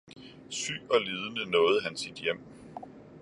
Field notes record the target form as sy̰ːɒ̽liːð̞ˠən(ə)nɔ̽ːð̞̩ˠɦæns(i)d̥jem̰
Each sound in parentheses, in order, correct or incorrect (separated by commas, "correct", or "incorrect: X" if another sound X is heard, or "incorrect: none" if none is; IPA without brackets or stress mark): correct, correct